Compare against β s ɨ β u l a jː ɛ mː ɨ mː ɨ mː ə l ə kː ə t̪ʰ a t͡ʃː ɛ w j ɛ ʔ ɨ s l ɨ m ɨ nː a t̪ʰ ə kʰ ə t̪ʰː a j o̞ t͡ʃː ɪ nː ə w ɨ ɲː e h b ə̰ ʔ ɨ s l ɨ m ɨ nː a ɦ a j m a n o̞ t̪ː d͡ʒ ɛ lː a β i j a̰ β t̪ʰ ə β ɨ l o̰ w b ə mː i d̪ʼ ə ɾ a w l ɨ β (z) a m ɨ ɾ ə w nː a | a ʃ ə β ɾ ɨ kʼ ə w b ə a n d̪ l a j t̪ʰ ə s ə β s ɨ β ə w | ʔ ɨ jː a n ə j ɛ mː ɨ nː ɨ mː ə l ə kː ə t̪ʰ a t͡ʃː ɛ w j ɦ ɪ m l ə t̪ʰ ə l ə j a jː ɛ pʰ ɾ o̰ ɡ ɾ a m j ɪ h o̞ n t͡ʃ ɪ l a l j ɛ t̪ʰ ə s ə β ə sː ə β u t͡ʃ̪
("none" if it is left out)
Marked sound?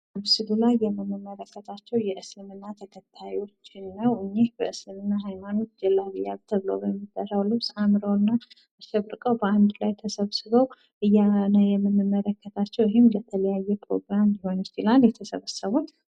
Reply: s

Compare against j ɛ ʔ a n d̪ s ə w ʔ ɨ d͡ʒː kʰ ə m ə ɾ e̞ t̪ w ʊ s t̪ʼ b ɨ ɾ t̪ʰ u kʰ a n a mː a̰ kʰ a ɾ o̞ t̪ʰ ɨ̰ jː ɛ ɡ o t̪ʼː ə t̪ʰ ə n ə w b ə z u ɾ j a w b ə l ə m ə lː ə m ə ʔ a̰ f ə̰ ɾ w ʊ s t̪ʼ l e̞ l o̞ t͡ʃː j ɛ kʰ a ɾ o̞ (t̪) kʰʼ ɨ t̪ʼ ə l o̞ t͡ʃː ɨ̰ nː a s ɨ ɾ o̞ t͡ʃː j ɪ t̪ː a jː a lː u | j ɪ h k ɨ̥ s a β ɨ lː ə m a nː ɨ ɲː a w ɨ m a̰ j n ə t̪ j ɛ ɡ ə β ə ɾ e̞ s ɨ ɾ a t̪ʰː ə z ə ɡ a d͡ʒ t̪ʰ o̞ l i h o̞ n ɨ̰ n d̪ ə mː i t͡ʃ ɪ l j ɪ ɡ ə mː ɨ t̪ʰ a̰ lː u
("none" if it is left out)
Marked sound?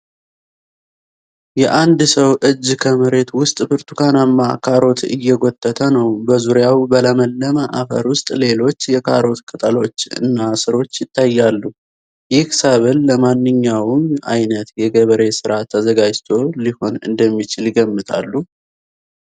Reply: t̪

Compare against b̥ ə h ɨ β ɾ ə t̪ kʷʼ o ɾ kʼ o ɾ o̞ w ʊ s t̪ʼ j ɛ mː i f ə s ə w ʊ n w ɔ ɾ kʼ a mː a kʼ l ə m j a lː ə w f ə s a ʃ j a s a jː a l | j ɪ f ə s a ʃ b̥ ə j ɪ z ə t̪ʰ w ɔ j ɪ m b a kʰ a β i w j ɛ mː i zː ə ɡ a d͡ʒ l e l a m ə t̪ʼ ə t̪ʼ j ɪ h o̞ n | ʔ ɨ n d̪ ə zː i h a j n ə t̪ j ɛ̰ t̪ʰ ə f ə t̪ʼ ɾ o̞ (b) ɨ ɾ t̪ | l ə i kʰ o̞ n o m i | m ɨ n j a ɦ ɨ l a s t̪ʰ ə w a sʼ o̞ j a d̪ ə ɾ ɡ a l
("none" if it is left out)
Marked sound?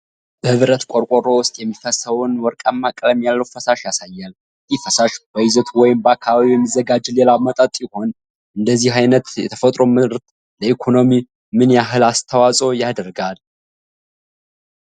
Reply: m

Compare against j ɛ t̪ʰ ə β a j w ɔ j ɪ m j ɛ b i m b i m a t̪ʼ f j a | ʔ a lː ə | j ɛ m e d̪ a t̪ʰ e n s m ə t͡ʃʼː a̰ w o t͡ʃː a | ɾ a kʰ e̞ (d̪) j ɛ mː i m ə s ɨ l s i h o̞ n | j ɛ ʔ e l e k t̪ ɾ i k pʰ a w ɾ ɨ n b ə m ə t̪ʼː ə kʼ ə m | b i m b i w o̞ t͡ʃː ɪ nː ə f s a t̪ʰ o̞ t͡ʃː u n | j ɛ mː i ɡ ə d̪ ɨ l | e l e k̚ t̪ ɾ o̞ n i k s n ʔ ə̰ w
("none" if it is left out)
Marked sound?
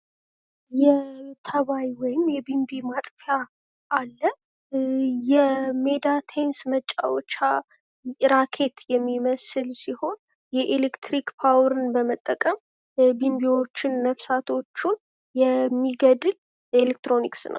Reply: t̪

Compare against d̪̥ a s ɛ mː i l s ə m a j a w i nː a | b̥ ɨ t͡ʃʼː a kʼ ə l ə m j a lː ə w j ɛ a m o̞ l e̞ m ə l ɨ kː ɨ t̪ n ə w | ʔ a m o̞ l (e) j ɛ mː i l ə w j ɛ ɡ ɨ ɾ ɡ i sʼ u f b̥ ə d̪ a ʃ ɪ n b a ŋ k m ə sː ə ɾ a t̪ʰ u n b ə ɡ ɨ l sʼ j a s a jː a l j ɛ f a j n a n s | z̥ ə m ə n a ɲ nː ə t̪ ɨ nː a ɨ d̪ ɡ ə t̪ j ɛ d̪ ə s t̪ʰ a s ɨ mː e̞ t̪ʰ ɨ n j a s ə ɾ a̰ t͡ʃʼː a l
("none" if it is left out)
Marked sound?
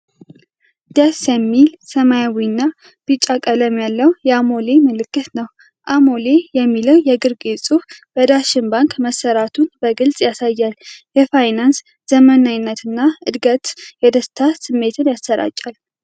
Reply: e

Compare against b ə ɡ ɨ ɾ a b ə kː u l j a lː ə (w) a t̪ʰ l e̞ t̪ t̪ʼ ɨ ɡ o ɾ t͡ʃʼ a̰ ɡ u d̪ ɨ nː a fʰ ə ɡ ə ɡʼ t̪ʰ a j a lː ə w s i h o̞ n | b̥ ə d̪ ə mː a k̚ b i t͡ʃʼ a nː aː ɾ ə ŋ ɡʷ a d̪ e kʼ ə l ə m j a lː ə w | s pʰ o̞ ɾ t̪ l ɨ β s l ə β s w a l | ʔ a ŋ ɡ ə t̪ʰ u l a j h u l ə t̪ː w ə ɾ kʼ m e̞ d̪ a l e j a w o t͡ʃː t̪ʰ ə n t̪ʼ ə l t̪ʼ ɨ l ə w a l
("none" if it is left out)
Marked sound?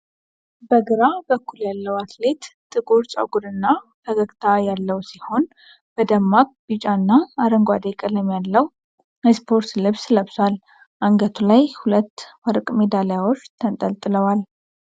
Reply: w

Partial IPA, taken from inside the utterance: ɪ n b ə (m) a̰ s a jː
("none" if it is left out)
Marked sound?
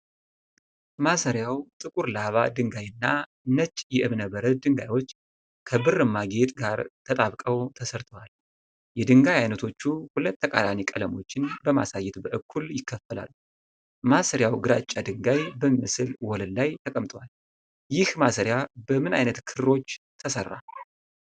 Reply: m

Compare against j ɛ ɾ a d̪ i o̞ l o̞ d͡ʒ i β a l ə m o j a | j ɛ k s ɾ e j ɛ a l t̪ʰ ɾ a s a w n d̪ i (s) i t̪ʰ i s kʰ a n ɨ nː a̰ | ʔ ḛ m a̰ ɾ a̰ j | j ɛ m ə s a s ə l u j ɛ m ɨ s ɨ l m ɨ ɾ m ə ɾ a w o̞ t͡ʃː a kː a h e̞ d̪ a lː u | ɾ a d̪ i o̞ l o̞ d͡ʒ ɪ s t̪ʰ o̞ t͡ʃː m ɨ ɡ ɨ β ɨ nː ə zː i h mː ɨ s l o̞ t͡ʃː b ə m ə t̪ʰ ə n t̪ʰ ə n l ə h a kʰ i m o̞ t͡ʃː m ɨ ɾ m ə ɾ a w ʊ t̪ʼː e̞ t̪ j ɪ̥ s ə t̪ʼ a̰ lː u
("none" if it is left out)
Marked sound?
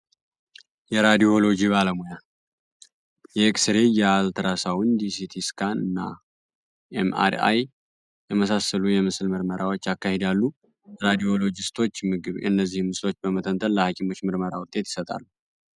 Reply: s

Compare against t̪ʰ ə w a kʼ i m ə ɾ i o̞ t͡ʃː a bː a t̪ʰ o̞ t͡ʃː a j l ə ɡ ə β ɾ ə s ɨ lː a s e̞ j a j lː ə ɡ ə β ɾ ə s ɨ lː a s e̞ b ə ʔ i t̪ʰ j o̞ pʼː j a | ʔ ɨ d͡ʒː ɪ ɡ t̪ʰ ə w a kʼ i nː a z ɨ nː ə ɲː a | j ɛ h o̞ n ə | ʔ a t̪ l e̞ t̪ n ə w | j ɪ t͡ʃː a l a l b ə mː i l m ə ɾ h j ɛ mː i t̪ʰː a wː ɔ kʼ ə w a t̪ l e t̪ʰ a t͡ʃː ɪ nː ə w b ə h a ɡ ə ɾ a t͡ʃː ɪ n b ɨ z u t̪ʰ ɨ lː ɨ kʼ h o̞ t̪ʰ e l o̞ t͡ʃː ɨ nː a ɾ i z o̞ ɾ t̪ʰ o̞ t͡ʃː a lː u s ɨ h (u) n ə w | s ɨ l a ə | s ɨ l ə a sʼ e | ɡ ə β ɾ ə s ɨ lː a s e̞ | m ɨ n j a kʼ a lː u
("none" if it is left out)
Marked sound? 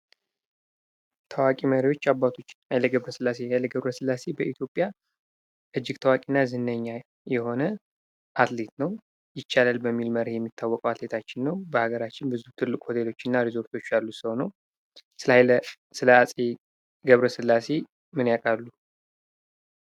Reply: o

